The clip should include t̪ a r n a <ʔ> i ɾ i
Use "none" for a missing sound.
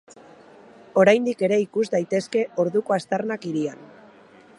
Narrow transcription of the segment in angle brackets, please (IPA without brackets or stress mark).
k